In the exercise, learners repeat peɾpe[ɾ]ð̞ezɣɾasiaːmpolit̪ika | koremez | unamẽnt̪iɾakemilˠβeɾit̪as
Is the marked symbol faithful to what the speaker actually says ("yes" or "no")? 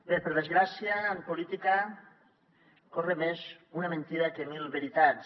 yes